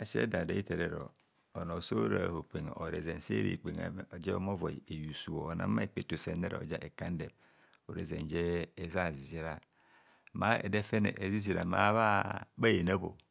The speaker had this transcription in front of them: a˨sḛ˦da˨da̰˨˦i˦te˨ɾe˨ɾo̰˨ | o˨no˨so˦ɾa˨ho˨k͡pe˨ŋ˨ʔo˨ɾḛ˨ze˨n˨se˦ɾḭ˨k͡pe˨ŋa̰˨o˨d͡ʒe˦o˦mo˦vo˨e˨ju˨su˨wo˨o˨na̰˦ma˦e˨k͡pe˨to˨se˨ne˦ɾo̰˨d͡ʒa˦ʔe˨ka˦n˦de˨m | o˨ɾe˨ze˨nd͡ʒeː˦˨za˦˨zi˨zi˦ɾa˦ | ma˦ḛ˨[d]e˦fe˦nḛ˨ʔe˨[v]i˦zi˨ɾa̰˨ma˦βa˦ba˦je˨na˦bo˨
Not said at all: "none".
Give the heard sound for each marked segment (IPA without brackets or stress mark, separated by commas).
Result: d, z